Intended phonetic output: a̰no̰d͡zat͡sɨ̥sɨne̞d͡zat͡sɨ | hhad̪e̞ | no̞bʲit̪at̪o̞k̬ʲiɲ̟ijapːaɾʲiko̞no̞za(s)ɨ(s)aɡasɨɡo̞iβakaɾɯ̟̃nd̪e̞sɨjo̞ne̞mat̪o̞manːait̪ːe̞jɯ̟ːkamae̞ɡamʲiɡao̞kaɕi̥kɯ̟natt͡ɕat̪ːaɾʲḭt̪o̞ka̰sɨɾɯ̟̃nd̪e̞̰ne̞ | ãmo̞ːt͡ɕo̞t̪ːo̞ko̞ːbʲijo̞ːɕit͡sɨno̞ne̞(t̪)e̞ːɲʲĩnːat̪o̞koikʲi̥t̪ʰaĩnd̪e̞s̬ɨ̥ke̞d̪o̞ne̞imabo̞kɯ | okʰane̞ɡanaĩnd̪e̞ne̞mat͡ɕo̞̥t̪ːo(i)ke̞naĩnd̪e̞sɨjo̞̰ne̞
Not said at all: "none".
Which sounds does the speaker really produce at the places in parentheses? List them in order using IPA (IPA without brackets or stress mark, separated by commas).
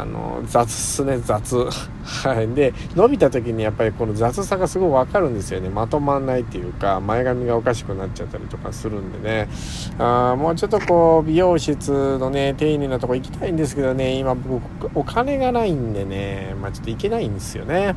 t͡s, s, t̪, i